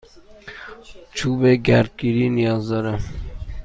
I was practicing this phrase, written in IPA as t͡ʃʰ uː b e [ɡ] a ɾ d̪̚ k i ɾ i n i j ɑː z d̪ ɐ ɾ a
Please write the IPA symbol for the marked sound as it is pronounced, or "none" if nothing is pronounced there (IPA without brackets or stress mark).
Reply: ɡ